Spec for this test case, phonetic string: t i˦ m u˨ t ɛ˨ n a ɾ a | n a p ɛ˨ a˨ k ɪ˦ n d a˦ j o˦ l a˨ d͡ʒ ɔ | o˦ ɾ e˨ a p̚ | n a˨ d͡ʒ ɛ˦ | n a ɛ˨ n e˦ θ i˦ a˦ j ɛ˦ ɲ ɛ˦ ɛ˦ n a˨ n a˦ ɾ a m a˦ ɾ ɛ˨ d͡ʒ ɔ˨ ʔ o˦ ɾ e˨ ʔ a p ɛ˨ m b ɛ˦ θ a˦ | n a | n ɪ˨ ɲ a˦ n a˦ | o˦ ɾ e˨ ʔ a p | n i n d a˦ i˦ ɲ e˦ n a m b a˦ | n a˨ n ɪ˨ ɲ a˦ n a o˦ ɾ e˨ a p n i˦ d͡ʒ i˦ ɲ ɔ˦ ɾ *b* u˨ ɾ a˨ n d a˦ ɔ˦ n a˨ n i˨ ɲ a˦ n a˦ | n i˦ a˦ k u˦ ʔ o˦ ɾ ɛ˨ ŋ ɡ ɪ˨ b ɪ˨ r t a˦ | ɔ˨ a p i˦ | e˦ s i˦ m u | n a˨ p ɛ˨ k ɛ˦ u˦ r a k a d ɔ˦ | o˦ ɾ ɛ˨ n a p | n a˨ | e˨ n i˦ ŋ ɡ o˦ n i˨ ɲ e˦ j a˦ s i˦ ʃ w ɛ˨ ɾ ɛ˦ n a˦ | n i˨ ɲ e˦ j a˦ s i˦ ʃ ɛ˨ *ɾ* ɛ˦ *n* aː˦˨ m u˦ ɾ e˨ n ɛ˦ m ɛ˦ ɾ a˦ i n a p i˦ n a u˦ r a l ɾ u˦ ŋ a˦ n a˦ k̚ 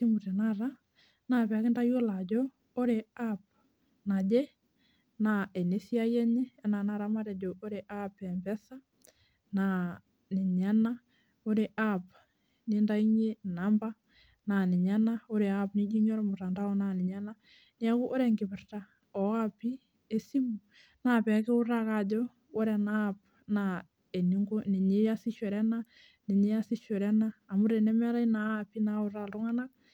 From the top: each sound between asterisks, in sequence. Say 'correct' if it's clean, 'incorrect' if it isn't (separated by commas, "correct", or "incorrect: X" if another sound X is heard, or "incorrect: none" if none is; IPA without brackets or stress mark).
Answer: incorrect: m, correct, correct